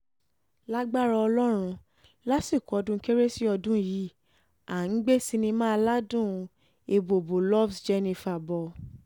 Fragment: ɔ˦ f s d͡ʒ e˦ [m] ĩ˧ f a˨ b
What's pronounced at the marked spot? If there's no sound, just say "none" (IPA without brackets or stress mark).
n